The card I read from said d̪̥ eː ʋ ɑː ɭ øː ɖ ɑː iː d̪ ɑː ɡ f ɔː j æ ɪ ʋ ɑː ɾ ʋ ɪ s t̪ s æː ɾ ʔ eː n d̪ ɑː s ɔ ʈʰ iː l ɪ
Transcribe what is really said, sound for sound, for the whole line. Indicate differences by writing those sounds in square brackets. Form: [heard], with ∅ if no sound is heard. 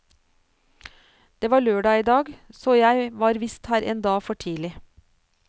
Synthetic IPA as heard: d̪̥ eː ʋ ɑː ɭ øː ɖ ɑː iː d̪ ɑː ɡ [s] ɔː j æ ɪ ʋ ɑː ɾ ʋ ɪ s t̪ [h] æː ɾ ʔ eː n d̪ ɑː [f] ɔ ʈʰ iː l ɪ

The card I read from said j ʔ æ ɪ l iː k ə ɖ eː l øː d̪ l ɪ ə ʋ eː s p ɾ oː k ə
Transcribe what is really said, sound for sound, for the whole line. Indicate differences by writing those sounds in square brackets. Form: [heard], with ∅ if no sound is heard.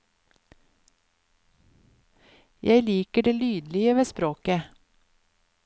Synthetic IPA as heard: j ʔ æ ɪ l iː k ə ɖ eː l [yː] d̪ l ɪ ə ʋ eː s p ɾ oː k ə

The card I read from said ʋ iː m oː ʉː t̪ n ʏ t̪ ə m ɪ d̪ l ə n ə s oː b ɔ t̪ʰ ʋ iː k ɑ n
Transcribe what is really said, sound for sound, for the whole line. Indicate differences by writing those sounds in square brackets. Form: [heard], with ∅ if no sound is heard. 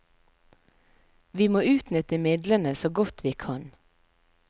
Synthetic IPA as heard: ʋ iː m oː ʉː t̪ n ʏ t̪ ə m ɪ d̪ l ə n ə s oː [ɡ] ɔ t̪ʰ ʋ iː [kʰ] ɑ n

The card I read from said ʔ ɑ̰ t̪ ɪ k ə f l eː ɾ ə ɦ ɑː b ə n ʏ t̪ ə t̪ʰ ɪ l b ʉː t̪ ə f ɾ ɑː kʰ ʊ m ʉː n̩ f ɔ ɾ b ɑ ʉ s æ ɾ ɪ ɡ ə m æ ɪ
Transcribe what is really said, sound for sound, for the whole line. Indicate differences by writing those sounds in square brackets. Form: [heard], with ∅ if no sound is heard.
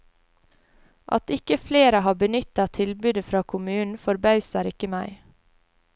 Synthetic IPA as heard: ʔ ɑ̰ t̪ ɪ k ə f l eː ɾ ə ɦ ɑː b ə n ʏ t̪ [ɑ] t̪ʰ ɪ l b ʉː [d̪] ə f ɾ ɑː kʰ ʊ m ʉː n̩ f ɔ ɾ b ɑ ʉ s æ ɾ ɪ [k] ə m æ ɪ

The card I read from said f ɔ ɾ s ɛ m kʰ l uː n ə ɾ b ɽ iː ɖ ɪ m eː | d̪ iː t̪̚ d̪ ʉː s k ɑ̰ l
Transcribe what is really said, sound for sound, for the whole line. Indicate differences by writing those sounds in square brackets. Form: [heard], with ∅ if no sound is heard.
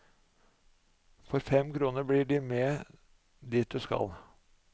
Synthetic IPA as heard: f ɔ ɾ [f] ɛ m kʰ [ɾ] uː n ə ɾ b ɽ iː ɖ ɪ m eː | d̪ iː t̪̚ d̪ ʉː s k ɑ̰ l

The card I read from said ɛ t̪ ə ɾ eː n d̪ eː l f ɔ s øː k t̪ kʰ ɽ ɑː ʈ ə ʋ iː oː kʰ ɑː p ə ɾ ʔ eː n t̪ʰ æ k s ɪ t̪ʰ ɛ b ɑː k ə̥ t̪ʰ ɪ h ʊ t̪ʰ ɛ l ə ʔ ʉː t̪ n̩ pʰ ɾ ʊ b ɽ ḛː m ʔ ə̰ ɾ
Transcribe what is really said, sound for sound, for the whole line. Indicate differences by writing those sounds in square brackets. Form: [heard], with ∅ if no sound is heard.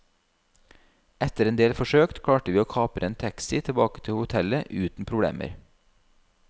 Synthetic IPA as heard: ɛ t̪ ə ɾ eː n d̪ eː l f ɔ [ʃ] øː k t̪ kʰ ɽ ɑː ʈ ə ʋ iː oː kʰ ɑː p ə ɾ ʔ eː n t̪ʰ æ k s ɪ t̪ʰ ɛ b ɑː k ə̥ t̪ʰ ɪ h ʊ t̪ʰ ɛ l ə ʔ ʉː t̪ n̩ pʰ ɾ ʊ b ɽ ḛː m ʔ ə̰ ɾ

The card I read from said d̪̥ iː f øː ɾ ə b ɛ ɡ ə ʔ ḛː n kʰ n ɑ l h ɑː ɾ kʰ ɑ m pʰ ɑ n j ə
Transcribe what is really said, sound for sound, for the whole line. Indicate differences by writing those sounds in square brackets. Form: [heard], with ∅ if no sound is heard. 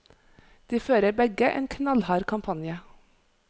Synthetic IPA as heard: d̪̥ iː f øː ɾ ə b ɛ ɡ ə ʔ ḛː n kʰ n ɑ l h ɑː ɾ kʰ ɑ m pʰ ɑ n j ə

